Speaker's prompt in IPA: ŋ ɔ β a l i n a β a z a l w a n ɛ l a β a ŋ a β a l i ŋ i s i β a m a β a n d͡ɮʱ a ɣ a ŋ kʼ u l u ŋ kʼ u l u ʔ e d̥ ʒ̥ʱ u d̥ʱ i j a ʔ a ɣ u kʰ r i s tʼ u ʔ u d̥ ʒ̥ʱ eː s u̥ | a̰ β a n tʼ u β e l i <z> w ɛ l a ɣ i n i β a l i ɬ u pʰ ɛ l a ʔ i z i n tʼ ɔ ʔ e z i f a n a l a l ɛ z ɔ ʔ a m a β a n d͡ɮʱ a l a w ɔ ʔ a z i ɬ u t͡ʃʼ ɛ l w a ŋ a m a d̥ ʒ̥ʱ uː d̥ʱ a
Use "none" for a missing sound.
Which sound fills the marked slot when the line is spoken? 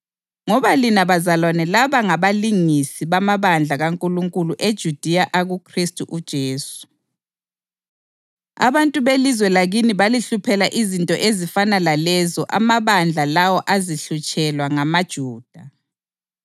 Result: z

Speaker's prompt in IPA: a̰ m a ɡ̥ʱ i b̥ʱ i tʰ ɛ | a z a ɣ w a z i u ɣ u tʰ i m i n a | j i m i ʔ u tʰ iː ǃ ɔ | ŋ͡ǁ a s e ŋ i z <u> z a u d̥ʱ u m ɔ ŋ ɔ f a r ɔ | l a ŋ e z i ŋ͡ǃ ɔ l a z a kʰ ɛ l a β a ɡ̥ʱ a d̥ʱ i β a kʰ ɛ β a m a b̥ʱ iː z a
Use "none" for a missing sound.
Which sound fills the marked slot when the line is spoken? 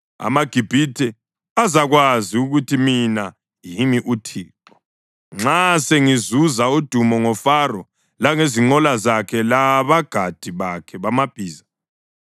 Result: u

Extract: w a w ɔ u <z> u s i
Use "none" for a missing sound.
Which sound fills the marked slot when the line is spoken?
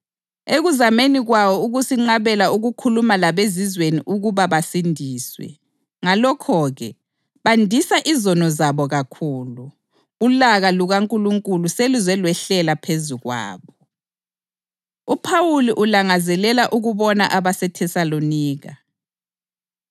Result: ɣ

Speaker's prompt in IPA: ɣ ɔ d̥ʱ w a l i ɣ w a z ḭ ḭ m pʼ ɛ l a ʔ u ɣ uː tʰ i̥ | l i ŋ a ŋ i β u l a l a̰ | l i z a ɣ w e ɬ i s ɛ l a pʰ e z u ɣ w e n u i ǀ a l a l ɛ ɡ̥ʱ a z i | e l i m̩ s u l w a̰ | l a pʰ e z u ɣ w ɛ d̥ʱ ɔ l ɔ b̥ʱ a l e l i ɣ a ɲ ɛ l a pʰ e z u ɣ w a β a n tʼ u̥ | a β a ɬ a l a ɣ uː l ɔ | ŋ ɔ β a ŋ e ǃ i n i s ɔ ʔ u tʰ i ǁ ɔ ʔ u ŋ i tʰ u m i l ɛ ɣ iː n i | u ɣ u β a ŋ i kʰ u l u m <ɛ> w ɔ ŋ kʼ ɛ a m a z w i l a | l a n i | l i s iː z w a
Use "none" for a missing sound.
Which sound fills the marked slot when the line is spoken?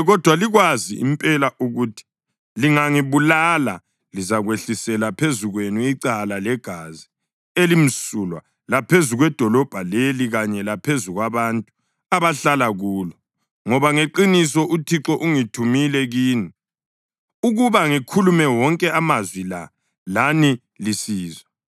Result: ɛ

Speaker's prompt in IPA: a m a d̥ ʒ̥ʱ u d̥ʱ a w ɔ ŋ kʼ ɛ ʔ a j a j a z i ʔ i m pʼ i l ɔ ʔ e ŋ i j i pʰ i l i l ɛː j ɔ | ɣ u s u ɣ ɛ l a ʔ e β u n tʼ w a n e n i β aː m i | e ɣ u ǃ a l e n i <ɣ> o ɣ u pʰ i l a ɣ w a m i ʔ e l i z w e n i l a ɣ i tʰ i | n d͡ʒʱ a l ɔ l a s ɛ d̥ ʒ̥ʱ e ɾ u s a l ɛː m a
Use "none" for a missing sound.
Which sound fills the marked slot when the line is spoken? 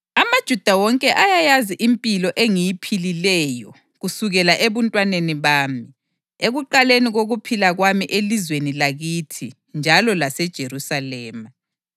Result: ɣ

